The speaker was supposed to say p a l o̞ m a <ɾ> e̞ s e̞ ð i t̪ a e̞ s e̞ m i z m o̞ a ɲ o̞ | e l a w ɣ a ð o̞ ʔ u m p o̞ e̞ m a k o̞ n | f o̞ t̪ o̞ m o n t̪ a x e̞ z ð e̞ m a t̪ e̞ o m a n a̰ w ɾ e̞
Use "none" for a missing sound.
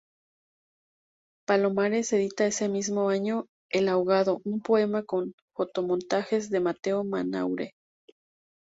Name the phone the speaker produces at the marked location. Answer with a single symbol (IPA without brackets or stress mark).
ɾ